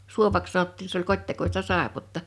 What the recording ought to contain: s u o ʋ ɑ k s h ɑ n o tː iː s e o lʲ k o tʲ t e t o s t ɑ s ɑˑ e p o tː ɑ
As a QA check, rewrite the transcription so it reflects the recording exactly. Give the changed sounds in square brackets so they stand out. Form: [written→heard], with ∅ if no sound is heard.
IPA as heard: s u o ʋ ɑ k s [h→s] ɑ n o tː iː s e o lʲ k o tʲ t e [t→k] o s t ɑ s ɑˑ e p o tː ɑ